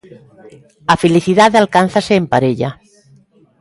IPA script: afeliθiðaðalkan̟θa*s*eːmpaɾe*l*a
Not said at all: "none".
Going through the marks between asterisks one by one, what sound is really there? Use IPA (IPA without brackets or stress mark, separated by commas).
s, ʎ